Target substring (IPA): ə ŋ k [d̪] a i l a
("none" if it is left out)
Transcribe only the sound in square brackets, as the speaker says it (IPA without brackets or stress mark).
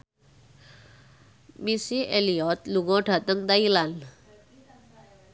d̪